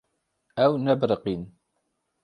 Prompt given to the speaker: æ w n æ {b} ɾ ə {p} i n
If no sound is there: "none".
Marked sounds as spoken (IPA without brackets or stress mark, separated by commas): b, q